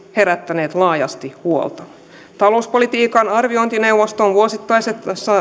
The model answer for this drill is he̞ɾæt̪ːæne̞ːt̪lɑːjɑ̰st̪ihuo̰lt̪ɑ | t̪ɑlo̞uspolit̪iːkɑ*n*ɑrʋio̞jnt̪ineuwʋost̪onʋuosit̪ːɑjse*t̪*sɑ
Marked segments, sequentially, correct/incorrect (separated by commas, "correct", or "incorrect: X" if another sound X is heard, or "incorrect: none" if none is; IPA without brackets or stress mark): correct, correct